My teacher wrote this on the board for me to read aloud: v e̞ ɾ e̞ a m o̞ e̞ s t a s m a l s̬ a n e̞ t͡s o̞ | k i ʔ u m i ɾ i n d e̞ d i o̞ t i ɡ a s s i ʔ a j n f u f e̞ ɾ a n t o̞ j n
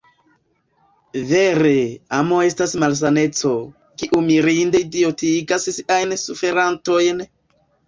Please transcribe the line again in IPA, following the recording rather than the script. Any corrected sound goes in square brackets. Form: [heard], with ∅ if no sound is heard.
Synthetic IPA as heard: v e̞ ɾ e̞ a m o̞ e̞ s t a s m a l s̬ a n e̞ t͡s o̞ | k i ʔ u m i ɾ i n d e̞ d i o̞ t i ɡ a s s i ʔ a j n [s] u f e̞ ɾ a n t o̞ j n